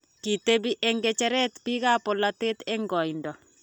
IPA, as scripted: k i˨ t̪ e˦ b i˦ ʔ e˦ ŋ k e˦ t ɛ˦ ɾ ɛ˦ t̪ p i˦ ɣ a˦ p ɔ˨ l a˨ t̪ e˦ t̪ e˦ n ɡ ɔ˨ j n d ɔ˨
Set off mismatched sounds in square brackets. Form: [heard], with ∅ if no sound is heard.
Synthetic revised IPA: k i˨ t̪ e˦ b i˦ ʔ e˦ ŋ [ɡ] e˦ [t͡ʃ] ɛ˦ ɾ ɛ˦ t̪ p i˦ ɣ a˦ p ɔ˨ l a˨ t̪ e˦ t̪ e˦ [ŋ] ɡ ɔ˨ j n d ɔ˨